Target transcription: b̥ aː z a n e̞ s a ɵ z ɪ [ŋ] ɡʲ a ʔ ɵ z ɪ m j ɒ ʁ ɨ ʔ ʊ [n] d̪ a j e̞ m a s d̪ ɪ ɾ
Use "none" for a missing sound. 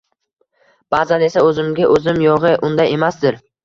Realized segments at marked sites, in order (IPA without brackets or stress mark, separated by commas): m, n